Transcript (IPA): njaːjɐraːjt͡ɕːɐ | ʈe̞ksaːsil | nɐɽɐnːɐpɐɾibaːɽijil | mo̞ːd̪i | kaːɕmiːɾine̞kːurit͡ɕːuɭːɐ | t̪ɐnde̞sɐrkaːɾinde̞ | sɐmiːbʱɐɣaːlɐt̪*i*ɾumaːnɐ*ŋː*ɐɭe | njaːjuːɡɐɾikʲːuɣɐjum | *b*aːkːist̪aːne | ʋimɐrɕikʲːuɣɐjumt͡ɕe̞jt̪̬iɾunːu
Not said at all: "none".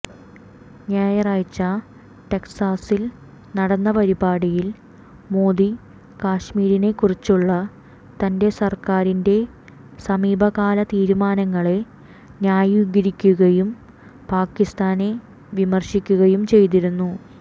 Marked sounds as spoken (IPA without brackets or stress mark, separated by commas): iː, ŋː, p